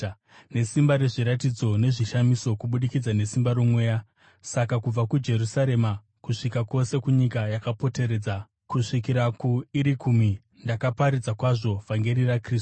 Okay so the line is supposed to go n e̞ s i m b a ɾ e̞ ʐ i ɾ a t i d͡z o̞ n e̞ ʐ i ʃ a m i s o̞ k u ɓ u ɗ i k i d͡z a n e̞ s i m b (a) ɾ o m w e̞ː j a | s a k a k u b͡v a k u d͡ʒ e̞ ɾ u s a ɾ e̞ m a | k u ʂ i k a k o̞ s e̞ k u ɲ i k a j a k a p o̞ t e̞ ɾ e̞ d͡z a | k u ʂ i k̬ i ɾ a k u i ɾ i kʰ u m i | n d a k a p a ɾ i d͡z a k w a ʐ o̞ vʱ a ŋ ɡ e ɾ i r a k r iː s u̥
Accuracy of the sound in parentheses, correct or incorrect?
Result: correct